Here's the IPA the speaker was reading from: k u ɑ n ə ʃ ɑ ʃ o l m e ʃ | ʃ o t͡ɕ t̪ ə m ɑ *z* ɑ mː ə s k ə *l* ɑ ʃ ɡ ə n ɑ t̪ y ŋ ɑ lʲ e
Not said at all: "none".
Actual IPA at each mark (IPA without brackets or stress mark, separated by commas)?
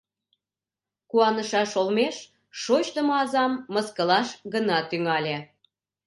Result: z, l